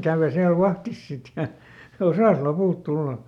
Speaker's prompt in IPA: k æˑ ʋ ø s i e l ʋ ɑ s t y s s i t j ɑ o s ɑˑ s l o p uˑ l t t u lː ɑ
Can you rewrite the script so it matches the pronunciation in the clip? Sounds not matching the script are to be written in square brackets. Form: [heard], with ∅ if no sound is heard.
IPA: k æˑ ʋ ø s i [æ] l ʋ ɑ [h] t [i] s s i t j ɑ o s ɑˑ s l o p uˑ l t t u lː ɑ